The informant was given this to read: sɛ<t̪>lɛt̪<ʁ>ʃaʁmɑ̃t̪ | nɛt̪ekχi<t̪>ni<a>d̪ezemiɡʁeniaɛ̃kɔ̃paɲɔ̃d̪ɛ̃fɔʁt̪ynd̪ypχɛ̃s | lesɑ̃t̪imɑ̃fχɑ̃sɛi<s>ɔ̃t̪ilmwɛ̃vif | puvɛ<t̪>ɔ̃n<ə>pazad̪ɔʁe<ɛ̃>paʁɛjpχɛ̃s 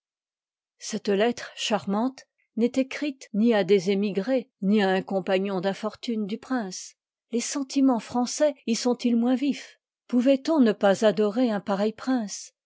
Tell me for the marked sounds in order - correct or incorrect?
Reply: correct, incorrect, correct, correct, correct, correct, correct, correct

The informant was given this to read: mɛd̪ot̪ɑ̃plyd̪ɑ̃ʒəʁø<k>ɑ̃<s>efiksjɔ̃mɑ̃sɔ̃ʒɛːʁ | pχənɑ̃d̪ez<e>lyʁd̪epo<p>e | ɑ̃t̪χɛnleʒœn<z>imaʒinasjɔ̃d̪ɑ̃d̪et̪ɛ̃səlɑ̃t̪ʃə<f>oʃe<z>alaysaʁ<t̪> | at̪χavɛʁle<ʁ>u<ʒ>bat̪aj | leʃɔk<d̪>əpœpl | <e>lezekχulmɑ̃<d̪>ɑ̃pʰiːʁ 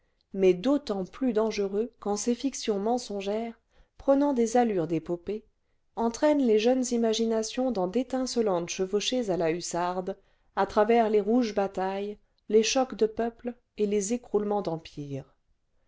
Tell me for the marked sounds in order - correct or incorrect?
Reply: correct, correct, incorrect, correct, correct, incorrect, correct, incorrect, correct, correct, correct, correct, correct

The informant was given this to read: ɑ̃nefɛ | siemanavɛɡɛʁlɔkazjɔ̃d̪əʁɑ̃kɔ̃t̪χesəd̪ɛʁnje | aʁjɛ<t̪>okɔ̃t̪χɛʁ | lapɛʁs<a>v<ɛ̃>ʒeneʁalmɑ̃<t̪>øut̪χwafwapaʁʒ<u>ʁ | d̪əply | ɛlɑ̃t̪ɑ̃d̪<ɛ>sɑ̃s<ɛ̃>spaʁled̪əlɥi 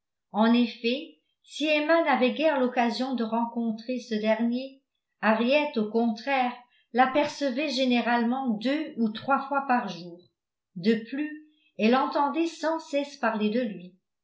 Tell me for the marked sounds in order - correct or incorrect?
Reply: correct, incorrect, incorrect, incorrect, incorrect, correct, incorrect

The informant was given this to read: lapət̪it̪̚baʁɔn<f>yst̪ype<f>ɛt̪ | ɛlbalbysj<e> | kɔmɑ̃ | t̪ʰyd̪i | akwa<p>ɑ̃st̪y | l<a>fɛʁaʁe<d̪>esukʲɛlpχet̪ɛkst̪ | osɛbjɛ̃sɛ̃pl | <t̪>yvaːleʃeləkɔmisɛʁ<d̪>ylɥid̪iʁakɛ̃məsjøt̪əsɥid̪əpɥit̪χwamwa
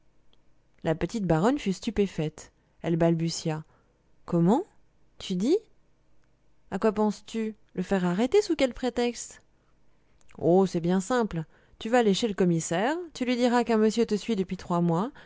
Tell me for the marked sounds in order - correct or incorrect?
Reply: correct, correct, incorrect, correct, incorrect, incorrect, correct, incorrect

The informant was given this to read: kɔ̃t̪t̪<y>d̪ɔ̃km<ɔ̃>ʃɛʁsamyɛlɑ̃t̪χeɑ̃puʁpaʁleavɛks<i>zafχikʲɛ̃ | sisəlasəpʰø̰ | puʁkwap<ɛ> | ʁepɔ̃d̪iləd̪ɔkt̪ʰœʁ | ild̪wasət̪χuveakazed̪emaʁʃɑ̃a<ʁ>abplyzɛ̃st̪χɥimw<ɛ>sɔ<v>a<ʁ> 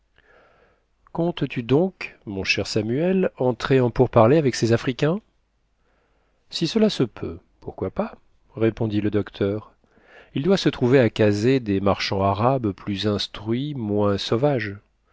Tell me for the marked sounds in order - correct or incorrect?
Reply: correct, correct, incorrect, incorrect, correct, incorrect, correct, incorrect

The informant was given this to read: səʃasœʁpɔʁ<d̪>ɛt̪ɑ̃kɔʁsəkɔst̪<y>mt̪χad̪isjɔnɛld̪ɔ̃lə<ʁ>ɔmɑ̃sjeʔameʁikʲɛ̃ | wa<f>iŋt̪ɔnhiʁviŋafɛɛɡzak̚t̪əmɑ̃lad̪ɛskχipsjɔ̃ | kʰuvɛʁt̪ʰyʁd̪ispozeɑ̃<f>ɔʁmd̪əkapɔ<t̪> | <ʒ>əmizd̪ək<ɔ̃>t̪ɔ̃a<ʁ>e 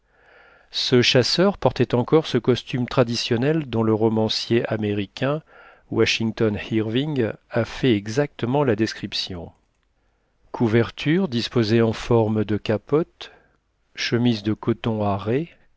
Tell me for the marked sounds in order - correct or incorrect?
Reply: incorrect, correct, correct, incorrect, correct, correct, incorrect, incorrect, correct

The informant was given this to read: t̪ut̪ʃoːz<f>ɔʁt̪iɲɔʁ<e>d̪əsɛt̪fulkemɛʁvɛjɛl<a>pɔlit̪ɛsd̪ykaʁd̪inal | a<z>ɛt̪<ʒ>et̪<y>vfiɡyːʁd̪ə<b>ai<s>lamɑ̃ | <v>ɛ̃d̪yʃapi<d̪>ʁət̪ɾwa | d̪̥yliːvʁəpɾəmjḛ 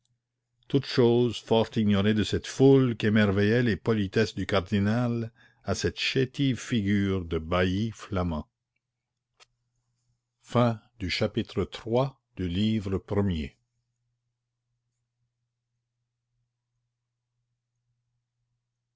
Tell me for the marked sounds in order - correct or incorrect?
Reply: correct, correct, incorrect, incorrect, incorrect, incorrect, correct, incorrect, incorrect, incorrect

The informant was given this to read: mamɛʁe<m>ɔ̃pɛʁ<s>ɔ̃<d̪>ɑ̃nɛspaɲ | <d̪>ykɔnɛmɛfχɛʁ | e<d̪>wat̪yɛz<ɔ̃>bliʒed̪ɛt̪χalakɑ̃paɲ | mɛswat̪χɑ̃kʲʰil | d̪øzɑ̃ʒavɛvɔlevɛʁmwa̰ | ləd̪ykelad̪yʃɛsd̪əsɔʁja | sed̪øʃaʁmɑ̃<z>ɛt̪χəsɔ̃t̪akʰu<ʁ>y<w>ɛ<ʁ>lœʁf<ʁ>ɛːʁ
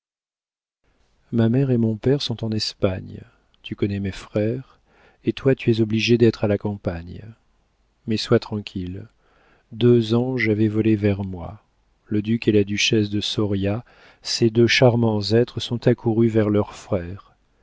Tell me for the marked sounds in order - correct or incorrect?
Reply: correct, correct, incorrect, incorrect, incorrect, incorrect, correct, correct, incorrect, correct, incorrect

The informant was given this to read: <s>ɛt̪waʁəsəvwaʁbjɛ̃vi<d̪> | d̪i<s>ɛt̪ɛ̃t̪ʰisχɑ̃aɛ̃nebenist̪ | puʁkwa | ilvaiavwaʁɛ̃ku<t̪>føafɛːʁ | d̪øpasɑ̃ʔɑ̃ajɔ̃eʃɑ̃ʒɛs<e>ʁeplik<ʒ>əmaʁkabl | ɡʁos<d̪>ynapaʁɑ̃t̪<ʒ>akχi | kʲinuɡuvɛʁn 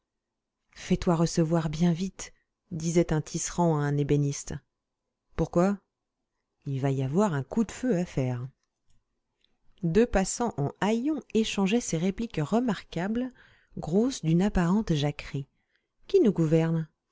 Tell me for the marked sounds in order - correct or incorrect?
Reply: incorrect, incorrect, incorrect, incorrect, correct, incorrect, correct, correct

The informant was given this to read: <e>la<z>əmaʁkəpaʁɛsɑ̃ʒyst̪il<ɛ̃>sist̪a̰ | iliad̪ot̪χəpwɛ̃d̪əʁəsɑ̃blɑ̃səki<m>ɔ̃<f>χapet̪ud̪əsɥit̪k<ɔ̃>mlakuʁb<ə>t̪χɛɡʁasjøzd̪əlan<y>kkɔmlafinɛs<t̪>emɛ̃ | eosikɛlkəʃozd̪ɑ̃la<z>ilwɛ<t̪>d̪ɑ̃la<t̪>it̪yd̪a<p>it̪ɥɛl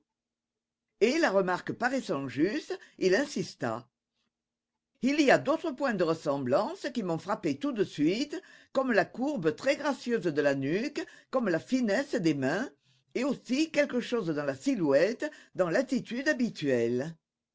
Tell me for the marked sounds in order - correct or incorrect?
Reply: correct, incorrect, correct, correct, correct, incorrect, correct, correct, incorrect, incorrect, correct, correct, incorrect

